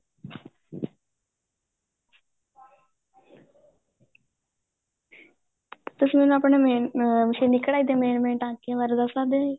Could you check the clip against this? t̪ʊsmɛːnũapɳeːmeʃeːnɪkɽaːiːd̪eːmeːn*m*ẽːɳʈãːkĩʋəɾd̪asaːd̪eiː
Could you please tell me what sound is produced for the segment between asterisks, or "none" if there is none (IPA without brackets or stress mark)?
m